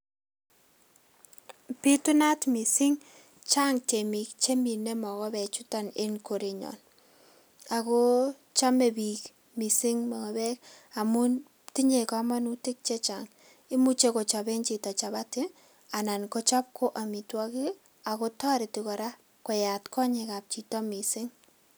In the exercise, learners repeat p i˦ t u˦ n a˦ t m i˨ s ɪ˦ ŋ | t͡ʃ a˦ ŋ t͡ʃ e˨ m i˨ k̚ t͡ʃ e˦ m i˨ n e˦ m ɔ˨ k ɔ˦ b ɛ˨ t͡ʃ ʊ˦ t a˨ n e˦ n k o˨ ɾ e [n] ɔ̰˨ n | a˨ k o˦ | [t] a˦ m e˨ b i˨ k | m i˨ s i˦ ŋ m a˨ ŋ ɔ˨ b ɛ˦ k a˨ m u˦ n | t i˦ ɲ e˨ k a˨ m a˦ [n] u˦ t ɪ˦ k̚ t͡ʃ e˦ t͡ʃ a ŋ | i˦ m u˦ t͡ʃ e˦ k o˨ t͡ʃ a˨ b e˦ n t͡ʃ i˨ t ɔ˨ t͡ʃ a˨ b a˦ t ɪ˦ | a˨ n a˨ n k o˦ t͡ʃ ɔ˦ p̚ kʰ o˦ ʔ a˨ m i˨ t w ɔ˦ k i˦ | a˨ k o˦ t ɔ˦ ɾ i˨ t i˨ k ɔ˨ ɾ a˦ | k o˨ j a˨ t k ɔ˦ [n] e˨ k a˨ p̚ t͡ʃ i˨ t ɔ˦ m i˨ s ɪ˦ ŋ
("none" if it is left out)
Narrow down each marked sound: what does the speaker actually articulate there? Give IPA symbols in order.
ɲ, t͡ʃ, n, ɲ

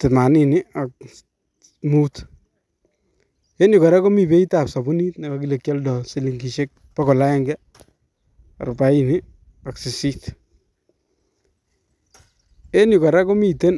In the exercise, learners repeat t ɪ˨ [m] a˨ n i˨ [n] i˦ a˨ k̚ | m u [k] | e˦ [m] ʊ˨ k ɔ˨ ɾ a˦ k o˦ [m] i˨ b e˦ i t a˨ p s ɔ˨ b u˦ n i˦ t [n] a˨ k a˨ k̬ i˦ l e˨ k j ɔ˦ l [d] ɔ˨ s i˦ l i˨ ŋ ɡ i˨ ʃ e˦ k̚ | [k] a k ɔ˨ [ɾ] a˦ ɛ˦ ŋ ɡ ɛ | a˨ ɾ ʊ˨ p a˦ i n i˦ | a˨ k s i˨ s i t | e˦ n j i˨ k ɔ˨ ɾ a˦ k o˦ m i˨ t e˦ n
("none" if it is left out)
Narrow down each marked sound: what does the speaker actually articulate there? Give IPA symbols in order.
m, n, t, n, m, n, d, p, l

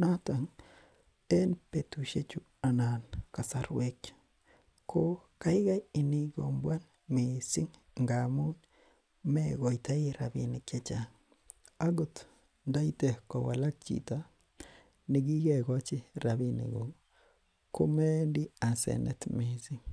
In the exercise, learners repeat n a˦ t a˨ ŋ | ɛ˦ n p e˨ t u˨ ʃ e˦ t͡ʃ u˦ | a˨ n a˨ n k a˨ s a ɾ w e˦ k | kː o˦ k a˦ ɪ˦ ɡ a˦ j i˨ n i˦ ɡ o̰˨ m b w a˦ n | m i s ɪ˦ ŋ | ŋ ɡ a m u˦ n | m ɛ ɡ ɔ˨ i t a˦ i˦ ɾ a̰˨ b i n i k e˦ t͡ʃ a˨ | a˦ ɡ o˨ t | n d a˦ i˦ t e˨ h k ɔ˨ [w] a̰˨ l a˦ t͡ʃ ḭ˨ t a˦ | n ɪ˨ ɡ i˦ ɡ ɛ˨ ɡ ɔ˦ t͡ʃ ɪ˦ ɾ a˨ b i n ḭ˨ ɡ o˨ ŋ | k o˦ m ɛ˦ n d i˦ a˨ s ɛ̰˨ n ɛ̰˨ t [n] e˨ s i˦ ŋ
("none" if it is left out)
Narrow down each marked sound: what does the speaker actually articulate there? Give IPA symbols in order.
w, m

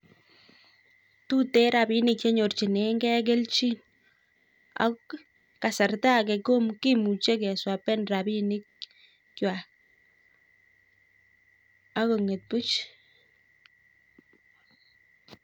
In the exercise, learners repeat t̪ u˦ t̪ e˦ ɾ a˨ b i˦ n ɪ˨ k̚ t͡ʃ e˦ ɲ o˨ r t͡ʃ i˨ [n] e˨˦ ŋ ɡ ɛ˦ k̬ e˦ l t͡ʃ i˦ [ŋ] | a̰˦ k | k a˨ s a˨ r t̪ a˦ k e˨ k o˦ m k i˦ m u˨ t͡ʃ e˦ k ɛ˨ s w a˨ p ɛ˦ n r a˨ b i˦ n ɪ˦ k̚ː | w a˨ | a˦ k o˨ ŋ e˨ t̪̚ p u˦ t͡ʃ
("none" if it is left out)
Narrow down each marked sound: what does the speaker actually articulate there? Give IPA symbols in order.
n, n

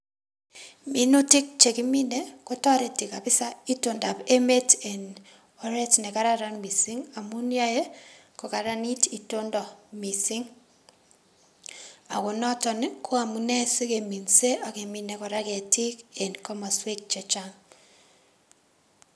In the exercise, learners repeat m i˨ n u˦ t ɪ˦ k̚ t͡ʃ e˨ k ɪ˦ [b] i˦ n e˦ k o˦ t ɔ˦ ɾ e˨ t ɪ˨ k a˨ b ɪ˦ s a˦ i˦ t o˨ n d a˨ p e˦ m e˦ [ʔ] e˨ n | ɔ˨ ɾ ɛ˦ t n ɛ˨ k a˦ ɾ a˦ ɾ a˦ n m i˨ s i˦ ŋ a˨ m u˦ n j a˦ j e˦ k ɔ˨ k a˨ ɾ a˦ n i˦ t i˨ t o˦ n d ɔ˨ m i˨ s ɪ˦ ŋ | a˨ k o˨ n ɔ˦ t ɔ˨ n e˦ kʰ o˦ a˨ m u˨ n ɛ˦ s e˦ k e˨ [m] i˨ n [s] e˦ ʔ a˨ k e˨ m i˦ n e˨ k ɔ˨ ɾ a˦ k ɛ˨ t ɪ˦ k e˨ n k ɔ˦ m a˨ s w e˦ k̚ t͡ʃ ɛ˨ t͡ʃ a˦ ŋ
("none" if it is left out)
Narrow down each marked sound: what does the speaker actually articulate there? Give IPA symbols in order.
m, t, m, s

